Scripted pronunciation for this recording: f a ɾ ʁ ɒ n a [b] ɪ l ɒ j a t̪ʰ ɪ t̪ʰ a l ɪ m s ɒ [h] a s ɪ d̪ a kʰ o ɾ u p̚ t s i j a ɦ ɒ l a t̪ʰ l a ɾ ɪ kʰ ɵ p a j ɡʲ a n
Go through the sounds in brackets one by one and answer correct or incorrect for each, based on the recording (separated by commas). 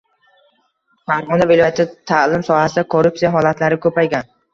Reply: incorrect, correct